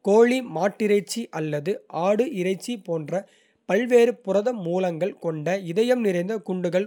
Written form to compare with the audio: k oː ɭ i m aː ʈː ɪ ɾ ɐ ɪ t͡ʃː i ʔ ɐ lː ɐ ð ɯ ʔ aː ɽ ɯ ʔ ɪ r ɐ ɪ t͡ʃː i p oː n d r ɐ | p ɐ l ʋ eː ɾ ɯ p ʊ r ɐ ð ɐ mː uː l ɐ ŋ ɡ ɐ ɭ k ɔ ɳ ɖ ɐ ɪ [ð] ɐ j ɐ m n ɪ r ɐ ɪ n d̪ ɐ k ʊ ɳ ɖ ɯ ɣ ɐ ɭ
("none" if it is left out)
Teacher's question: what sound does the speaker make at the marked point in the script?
ð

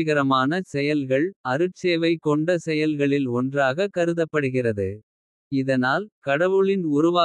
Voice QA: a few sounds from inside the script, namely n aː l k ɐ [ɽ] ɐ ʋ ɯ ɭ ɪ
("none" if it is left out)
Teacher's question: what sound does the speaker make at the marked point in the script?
ɽ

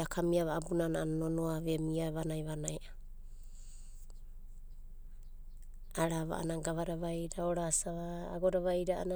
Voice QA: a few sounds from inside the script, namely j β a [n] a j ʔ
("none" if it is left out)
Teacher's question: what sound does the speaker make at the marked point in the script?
n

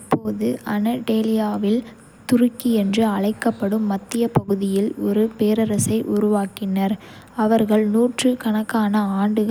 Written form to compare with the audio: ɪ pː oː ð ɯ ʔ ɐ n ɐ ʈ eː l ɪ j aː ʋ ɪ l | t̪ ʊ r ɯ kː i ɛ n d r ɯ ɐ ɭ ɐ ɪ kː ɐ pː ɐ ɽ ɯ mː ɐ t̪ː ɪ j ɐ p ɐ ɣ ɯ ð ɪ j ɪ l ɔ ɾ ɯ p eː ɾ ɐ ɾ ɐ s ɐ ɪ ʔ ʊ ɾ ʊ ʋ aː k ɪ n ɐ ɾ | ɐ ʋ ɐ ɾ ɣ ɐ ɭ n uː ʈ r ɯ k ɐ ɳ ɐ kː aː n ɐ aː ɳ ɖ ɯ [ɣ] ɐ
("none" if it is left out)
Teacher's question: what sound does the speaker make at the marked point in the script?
ɣ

